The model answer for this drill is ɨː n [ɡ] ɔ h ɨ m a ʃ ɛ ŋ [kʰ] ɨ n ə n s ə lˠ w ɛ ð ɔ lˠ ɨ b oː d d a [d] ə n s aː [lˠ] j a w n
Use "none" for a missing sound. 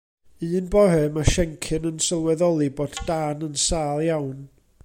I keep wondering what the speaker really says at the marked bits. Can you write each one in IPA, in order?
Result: b, kʰ, n, lˠ

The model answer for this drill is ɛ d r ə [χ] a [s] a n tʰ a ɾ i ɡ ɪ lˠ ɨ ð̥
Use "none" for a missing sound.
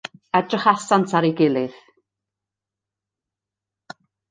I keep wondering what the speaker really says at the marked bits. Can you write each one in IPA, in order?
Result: χ, s

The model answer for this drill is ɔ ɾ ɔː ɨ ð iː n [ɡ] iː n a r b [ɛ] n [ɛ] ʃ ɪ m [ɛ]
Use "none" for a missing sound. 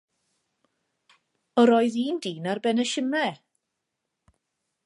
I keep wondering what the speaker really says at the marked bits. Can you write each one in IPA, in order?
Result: d, ɛ, ɛ, ɛ

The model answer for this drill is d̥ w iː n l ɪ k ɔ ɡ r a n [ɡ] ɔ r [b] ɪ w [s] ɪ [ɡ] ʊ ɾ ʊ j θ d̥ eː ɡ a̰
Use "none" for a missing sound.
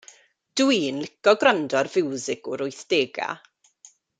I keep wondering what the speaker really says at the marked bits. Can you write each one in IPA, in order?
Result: d, v, z, ɡ

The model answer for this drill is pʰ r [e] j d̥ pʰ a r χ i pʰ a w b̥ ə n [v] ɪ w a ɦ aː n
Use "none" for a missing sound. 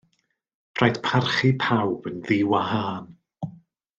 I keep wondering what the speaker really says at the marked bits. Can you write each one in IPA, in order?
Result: a, ð

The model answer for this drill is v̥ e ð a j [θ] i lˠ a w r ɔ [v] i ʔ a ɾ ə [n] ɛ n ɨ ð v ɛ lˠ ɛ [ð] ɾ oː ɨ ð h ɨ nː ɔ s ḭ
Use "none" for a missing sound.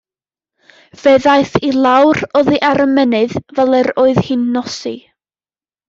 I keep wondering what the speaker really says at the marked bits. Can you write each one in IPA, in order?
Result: θ, ð, m, none

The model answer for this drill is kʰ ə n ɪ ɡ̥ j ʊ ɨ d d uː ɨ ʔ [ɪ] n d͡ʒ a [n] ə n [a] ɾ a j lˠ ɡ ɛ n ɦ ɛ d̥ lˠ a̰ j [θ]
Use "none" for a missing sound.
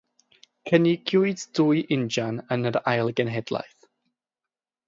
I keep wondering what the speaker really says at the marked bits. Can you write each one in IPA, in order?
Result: ɪ, n, ə, θ

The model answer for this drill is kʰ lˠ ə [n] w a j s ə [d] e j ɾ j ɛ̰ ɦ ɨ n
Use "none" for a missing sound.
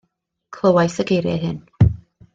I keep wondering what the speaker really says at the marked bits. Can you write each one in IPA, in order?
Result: none, ɡ

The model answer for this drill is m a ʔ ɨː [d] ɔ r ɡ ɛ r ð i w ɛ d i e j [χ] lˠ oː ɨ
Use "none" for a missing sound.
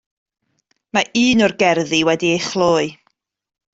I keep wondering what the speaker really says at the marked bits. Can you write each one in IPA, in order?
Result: n, χ

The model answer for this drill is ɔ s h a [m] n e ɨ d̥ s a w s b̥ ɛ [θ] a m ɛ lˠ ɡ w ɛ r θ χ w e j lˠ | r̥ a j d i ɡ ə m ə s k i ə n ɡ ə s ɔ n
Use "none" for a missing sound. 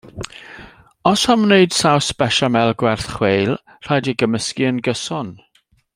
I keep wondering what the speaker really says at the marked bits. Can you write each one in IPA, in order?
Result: m, ʃ

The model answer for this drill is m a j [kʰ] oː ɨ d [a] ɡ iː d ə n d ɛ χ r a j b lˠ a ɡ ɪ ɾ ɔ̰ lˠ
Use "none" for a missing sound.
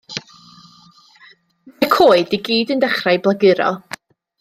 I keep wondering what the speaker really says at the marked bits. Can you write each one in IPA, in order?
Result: kʰ, i

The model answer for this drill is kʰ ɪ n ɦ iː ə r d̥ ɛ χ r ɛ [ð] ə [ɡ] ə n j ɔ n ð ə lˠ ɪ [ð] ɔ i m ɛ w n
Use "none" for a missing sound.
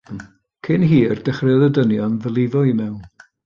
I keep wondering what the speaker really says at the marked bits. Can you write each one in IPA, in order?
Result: ð, d, v

